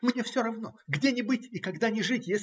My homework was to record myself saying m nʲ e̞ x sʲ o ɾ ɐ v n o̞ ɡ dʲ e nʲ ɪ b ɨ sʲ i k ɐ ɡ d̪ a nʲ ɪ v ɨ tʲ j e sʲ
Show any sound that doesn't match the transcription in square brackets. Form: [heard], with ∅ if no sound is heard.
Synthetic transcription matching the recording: m nʲ e̞ [f] sʲ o ɾ ɐ v n o̞ ɡ dʲ e nʲ ɪ b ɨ [tʲ] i k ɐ ɡ d̪ a nʲ ɪ [ʐ] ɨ tʲ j e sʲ